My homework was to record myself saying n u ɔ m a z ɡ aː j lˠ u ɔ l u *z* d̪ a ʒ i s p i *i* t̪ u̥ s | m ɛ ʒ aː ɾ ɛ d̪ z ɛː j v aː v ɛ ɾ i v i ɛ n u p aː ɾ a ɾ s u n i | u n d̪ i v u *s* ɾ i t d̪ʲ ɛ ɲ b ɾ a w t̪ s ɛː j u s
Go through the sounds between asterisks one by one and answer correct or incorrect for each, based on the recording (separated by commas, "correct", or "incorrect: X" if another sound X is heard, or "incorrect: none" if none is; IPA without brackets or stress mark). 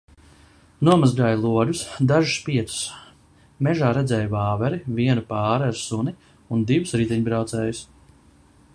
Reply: incorrect: s, incorrect: ɛ, correct